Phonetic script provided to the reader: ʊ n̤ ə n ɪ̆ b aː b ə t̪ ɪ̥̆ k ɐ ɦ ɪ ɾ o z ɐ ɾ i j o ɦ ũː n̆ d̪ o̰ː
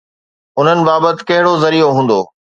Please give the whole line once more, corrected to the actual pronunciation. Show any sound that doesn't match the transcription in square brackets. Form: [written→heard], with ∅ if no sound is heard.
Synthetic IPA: ʊ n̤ ə n ɪ̆ b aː b ə t̪ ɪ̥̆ k ɐ ɦ ɪ [ɾ→ɽ] o z ɐ ɾ i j o ɦ ũː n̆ d̪ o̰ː

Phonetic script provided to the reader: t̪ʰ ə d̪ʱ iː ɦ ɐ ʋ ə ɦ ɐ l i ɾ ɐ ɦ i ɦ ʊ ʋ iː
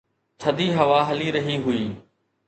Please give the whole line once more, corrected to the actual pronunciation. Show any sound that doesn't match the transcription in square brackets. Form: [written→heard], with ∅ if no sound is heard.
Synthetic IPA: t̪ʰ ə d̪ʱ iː ɦ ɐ ʋ [ə→a] ɦ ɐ l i ɾ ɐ ɦ i ɦ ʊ [ʋ→∅] iː

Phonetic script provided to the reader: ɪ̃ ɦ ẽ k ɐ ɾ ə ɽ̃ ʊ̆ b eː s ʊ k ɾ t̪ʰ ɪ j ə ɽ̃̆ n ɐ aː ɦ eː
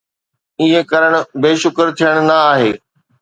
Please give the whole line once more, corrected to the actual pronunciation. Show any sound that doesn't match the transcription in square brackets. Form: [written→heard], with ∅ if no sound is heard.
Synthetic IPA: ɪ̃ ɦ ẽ k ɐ ɾ ə ɽ̃ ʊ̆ b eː [s→ʃ] ʊ k ɾ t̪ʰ [ɪ→i] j ə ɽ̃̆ n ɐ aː ɦ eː

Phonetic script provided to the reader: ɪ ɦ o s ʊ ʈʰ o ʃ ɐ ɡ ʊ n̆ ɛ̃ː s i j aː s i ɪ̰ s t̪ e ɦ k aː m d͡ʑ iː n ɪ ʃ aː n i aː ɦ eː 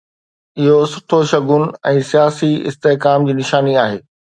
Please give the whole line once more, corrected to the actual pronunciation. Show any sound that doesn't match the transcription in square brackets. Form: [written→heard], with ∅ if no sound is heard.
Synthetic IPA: ɪ ɦ o s ʊ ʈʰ o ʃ ɐ ɡ ʊ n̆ ɛ̃ː s i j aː s i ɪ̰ s t̪ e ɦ k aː m d͡ʑ iː n ɪ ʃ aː n i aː ɦ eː

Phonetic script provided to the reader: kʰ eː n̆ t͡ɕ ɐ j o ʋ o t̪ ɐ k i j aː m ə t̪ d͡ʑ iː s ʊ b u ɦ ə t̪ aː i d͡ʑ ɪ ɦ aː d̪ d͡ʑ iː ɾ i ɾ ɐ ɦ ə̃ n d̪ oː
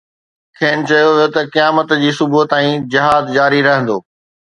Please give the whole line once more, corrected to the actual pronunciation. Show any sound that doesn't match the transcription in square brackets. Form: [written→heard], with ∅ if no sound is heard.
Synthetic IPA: kʰ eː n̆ t͡ɕ ɐ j o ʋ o t̪ ɐ k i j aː m ə t̪ d͡ʑ iː s ʊ b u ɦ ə t̪ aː [i→ĩ] d͡ʑ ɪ ɦ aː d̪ d͡ʑ [iː→aː] ɾ i ɾ ɐ ɦ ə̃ n d̪ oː

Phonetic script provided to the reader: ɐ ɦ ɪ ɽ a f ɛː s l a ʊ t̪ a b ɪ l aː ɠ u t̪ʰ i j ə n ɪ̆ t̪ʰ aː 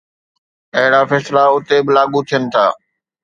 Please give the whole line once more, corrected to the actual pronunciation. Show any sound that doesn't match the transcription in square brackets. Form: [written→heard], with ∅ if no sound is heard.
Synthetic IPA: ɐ ɦ ɪ ɽ a f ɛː s l a ʊ t̪ [a→e] b ɪ l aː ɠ u t̪ʰ i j ə n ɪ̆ t̪ʰ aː

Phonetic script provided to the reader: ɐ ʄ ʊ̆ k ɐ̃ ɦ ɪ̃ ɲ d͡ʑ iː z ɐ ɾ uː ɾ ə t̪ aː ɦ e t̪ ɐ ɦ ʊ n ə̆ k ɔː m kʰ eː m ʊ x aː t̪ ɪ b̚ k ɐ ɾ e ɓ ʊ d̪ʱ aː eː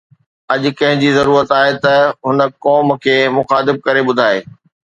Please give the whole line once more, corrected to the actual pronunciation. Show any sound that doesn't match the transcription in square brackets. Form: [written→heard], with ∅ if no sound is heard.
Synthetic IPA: ɐ ʄ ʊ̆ k ɐ̃ ɦ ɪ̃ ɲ d͡ʑ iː z ɐ ɾ uː ɾ ə t̪ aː ɦ e t̪ ɐ ɦ ʊ n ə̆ k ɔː m kʰ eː m ʊ x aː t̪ ɪ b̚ k ɐ ɾ e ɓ ʊ d̪ʱ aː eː

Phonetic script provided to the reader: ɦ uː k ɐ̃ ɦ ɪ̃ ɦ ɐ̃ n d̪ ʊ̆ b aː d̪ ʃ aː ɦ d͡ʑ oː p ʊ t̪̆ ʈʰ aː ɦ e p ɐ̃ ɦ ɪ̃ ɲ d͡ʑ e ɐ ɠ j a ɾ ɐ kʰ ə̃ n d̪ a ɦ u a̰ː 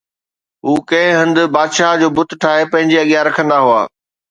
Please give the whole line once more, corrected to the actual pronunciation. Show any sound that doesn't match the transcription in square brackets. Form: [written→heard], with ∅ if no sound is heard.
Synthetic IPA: ɦ uː k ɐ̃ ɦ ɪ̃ ɦ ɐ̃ n d̪ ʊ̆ b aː d̪ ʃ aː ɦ d͡ʑ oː [p→b] ʊ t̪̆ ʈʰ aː ɦ e p ɐ̃ ɦ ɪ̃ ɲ d͡ʑ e ɐ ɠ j a ɾ ɐ kʰ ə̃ n d̪ a ɦ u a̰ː

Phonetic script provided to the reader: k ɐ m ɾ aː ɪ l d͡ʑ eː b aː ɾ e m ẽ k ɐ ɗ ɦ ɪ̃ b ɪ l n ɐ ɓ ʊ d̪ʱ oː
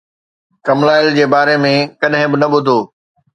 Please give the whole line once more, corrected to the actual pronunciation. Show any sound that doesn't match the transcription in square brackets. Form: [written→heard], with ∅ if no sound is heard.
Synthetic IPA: k ɐ m [ɾ→l] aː ɪ l d͡ʑ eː b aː ɾ e m ẽ k ɐ ɗ ɦ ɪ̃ b ɪ [l→∅] n ɐ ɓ ʊ d̪ʱ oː

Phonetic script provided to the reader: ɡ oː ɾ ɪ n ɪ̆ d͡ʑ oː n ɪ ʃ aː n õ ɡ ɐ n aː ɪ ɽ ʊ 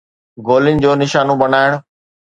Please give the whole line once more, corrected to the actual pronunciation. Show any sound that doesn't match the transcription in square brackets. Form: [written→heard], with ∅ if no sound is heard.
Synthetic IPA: ɡ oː [ɾ→l] ɪ n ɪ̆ d͡ʑ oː n ɪ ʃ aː n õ [ɡ→b] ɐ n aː ɪ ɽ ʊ

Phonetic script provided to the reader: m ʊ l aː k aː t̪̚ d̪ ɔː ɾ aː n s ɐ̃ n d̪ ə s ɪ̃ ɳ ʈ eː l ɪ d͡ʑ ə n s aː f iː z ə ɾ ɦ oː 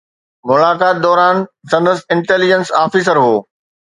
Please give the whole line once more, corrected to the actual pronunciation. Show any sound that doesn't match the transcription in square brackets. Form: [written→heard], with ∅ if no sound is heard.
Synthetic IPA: m ʊ l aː k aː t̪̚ d̪ ɔː ɾ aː n s ɐ̃ n d̪ ə s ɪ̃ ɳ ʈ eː l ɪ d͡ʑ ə n s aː f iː [z→s] ə ɾ ɦ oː

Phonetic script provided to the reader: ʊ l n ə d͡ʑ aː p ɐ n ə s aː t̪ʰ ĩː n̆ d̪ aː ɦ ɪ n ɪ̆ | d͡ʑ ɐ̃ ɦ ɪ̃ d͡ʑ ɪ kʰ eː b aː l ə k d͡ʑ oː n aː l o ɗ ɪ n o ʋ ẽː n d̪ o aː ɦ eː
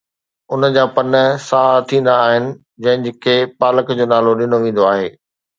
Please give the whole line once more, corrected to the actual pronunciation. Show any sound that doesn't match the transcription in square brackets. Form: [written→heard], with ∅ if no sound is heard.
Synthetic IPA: ʊ [l→∅] n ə d͡ʑ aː p ɐ n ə s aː t̪ʰ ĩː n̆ d̪ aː ɦ ɪ n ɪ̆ | d͡ʑ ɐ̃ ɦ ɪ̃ d͡ʑ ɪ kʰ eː [b→p] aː l ə k d͡ʑ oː n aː l o ɗ ɪ n o ʋ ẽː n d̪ o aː ɦ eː

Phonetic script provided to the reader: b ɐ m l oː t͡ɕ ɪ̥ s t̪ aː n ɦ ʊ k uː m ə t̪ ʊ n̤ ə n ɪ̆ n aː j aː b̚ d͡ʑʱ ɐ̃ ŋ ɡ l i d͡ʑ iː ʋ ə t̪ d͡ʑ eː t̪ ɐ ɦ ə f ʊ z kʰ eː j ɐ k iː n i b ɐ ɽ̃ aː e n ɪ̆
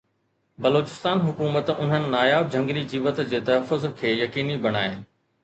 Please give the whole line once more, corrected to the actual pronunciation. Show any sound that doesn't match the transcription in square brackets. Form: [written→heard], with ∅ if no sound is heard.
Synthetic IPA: b ɐ [m→∅] l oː t͡ɕ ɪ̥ s t̪ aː n ɦ ʊ k uː m ə t̪ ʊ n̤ ə n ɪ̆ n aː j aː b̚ d͡ʑʱ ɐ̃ ŋ ɡ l i d͡ʑ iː ʋ ə t̪ d͡ʑ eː t̪ ɐ ɦ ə f ʊ z kʰ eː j ɐ k iː n i b ɐ ɽ̃ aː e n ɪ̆

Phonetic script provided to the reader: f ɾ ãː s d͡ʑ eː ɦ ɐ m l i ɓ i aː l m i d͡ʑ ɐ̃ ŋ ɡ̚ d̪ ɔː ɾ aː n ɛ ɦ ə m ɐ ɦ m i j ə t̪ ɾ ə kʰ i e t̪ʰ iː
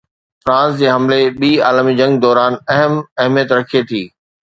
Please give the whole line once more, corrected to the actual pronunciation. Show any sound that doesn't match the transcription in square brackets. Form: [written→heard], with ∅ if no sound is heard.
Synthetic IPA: f ɾ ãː s d͡ʑ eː ɦ ɐ m l [i→e] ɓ [i→iː] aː l m i d͡ʑ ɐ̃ ŋ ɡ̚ d̪ ɔː ɾ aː n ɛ ɦ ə m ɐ ɦ m i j ə t̪ ɾ [ə→ɐ] kʰ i e t̪ʰ iː

